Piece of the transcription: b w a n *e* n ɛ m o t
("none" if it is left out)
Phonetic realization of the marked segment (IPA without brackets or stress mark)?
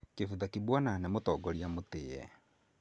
a